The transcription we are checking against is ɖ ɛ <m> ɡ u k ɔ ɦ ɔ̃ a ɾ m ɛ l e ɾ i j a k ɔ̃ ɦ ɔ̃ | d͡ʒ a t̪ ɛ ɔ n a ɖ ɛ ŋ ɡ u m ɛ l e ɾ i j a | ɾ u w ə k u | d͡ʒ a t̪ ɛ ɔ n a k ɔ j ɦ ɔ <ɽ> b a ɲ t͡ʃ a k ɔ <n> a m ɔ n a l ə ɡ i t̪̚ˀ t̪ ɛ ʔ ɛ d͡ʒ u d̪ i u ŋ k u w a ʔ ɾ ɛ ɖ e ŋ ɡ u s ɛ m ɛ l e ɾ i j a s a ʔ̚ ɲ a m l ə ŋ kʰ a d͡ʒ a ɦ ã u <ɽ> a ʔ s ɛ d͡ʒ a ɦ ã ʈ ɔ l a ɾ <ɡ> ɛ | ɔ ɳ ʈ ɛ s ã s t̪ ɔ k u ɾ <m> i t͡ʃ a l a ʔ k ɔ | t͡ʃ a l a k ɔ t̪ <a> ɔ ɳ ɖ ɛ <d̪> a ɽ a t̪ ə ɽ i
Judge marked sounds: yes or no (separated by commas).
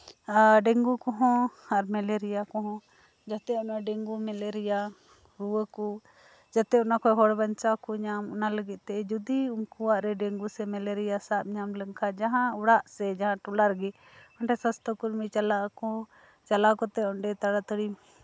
no, yes, no, yes, yes, yes, no, no